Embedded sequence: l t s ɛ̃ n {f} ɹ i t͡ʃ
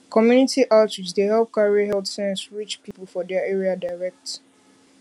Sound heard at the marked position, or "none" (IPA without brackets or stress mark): s